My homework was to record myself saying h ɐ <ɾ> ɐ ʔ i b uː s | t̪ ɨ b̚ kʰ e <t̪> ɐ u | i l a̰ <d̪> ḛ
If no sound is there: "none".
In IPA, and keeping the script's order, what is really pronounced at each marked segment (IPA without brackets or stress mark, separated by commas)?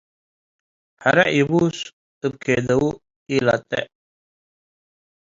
ɾ, d̪, t̪